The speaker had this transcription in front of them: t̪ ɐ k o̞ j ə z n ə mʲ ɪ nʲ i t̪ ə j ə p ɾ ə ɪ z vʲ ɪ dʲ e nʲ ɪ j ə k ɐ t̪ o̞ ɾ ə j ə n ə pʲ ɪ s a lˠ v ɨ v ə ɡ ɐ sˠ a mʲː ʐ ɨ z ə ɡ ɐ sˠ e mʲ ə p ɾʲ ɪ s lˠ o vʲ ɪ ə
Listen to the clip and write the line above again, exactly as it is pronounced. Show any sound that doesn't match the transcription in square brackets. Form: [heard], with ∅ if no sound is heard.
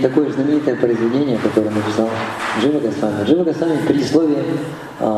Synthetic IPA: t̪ ɐ k o̞ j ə z n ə mʲ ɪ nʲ i t̪ ə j ə p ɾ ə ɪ z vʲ ɪ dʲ e nʲ ɪ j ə k ɐ t̪ o̞ ɾ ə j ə n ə pʲ ɪ s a lˠ [ʐ] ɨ v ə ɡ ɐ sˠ a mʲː ʐ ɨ [v] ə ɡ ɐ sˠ [a] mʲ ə p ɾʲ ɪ s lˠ o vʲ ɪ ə